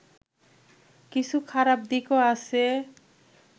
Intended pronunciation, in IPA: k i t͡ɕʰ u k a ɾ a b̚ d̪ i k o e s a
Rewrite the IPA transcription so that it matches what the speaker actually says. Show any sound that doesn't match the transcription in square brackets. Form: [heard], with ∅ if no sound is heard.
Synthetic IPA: k i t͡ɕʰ u [kʰ] a ɾ a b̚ d̪ i k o [a] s [e]